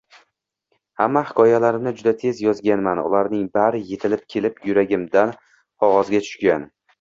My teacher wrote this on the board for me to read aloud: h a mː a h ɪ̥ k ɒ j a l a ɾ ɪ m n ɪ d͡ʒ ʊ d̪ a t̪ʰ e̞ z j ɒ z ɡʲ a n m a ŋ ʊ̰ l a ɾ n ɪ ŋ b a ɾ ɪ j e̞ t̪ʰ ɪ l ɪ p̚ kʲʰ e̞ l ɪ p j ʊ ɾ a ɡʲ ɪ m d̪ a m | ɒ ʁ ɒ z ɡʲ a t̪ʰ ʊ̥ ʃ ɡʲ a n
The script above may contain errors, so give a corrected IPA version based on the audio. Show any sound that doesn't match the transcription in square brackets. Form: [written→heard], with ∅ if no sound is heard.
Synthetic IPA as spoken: h a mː a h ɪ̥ k ɒ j a l a ɾ ɪ m n ɪ d͡ʒ ʊ d̪ a t̪ʰ e̞ z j ɒ z ɡʲ a n m a [ŋ→n] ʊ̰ l a ɾ n ɪ ŋ b a ɾ ɪ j e̞ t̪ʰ ɪ l ɪ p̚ kʲʰ e̞ l ɪ p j ʊ ɾ a ɡʲ ɪ m d̪ a [m→n] | ɒ ʁ ɒ z ɡʲ a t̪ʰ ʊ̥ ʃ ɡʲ a n